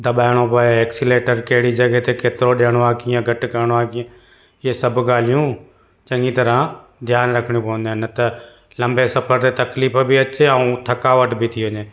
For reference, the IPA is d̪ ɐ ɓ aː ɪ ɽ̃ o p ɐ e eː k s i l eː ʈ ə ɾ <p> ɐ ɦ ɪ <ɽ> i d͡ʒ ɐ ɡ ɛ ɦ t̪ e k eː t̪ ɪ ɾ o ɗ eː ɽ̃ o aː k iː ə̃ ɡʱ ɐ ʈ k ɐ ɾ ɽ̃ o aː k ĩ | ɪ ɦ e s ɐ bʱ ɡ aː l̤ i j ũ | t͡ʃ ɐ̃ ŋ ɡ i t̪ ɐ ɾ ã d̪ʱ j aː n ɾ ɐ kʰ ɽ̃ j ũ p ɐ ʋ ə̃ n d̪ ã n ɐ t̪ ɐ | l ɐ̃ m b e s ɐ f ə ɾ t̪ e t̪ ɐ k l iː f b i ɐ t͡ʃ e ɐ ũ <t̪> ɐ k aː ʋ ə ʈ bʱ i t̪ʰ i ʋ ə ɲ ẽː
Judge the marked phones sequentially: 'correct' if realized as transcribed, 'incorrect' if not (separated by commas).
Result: incorrect, correct, incorrect